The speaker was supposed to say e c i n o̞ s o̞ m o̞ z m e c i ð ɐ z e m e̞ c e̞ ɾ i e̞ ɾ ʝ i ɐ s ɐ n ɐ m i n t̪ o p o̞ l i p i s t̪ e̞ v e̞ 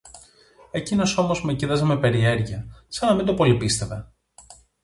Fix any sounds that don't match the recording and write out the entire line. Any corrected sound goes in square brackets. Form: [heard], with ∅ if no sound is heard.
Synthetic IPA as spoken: e c i n o̞ s o̞ m o̞ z m e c i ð ɐ z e m e̞ [p] e̞ ɾ i e̞ ɾ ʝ i ɐ s ɐ n ɐ m i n [d̪] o p o̞ l i p i s t̪ e̞ v e̞